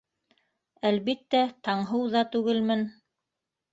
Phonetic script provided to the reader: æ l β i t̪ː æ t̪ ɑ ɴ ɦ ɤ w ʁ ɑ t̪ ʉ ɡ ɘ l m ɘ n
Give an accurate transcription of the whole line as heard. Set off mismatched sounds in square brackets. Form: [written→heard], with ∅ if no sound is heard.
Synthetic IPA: æ l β i t̪ː æ t̪ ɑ ɴ ɦ ɤ w [ʁ→ð] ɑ t̪ ʉ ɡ ɘ l m ɘ n